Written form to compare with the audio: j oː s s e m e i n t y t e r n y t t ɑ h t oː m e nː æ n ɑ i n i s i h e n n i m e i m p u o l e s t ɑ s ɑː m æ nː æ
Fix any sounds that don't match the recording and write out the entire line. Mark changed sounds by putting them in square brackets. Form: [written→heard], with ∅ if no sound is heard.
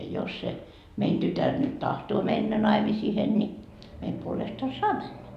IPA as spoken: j [oː→o] s s e m e i n t y t [e→æ] r n y t t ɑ h t oː m e nː æ n ɑ i [n→m] i s i h e n n i m e i m p u o l e s t ɑ s ɑː m æ nː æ